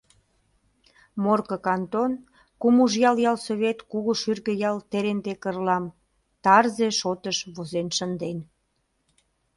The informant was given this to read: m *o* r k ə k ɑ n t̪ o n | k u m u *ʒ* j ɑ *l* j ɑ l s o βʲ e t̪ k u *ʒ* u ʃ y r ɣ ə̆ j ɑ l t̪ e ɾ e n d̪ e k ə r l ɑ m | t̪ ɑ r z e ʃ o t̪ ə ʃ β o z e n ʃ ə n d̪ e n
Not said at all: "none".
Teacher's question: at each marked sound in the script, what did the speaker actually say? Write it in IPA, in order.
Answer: o, ʒ, l, ɣ

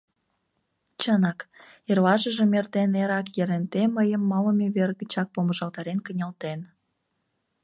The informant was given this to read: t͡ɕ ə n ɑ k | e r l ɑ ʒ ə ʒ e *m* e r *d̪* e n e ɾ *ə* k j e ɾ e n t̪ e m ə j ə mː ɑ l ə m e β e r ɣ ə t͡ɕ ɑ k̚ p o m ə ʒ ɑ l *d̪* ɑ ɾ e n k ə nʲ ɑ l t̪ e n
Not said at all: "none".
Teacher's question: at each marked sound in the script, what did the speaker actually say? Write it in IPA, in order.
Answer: m, t̪, ɑ, t̪

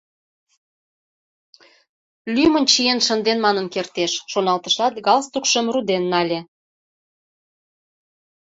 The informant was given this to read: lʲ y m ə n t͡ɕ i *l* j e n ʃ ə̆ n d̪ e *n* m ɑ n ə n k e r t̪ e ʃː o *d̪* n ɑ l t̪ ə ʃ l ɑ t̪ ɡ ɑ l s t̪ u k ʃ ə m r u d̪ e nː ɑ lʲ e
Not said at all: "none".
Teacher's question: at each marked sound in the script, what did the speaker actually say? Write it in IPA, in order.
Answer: none, n, none

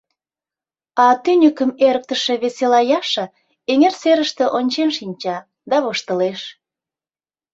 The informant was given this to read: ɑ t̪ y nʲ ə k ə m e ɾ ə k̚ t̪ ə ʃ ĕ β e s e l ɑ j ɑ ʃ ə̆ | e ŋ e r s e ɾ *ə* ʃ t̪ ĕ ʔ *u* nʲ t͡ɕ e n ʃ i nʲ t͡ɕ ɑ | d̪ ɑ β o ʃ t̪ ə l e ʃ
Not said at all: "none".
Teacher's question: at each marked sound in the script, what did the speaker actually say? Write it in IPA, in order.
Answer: ə, o

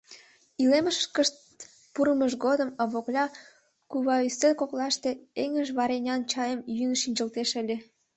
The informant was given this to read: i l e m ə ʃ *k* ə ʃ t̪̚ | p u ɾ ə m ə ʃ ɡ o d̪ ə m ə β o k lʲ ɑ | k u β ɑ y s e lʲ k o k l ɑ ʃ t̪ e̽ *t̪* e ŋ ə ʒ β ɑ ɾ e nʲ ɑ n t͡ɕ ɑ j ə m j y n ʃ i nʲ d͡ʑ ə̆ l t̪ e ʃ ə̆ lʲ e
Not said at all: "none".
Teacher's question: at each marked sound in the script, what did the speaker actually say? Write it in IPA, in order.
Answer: k, none

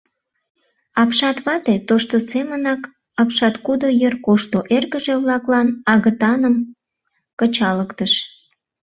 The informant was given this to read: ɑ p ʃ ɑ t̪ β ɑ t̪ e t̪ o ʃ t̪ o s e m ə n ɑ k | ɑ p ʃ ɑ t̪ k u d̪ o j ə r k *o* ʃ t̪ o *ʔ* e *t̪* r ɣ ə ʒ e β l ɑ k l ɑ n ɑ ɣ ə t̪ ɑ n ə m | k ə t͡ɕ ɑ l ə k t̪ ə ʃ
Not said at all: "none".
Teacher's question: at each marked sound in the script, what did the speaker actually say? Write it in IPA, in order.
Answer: o, ʔ, none

